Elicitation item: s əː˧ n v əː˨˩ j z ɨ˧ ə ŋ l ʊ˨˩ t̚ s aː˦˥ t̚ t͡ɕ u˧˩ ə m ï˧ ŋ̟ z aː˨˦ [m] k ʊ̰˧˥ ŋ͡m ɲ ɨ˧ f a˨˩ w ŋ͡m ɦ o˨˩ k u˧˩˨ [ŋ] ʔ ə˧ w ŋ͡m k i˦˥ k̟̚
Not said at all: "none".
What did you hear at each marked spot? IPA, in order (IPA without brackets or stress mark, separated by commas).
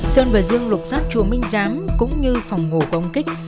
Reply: m, none